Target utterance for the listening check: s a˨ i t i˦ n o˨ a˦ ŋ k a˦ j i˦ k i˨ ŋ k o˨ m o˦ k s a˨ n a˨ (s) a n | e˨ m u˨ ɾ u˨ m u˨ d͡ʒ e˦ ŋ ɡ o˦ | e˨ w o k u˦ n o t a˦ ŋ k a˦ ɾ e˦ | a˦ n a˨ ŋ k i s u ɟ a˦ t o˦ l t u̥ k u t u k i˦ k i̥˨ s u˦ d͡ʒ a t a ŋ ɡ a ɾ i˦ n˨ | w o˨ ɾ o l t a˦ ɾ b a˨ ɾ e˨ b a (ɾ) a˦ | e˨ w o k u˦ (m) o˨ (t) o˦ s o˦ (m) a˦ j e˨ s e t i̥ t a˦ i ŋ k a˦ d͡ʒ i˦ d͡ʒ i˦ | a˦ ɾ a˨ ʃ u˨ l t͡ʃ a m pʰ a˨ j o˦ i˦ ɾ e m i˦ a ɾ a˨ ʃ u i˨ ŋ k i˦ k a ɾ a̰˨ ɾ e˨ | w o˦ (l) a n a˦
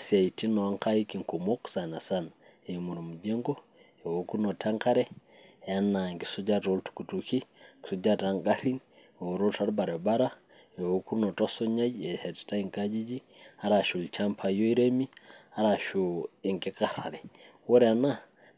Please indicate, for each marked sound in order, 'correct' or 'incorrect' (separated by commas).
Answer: correct, correct, incorrect, correct, incorrect, incorrect